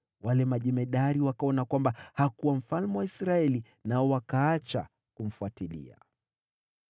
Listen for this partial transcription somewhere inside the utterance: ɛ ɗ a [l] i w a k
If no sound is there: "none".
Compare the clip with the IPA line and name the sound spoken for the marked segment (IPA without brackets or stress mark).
ɾ